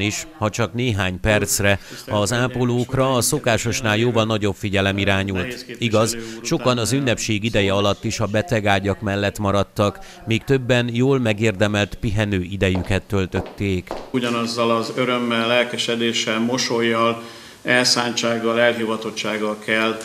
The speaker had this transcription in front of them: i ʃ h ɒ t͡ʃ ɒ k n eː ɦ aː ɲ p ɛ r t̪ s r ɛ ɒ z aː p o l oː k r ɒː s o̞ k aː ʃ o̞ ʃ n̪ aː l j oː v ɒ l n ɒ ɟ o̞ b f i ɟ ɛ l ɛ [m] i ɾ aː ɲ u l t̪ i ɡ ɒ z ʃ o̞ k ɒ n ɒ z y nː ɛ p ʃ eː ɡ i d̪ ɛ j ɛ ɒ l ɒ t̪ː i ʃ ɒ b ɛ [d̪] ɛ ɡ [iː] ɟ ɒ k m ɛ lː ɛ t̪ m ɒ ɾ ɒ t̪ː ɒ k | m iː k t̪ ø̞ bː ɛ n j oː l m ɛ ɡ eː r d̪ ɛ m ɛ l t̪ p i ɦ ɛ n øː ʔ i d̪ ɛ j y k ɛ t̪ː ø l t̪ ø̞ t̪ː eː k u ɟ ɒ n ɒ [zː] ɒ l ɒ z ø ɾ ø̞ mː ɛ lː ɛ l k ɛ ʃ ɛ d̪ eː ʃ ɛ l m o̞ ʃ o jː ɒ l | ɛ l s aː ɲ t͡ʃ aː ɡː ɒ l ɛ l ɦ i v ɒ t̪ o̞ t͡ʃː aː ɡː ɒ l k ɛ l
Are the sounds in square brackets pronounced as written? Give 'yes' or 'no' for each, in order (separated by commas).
yes, no, no, yes